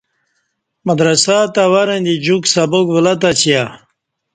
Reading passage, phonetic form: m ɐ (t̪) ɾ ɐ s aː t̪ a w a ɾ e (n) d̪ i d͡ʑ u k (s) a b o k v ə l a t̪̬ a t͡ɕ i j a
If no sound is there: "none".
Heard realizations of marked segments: d̪, n, s

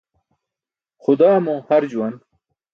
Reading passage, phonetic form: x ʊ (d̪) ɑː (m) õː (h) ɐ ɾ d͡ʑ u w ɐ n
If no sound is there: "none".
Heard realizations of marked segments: d̪, m, h

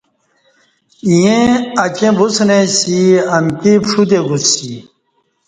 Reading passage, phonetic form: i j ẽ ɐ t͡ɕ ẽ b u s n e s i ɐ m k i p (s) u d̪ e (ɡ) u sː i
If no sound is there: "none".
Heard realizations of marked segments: ʂ, ɡ

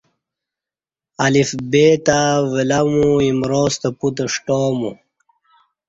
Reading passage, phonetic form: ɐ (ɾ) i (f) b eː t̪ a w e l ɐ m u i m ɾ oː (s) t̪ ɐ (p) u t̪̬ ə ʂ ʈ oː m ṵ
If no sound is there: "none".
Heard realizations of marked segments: l, f, s, p

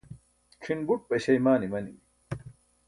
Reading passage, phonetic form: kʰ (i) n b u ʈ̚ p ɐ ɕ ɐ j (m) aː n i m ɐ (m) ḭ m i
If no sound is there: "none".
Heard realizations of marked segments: i, m, n

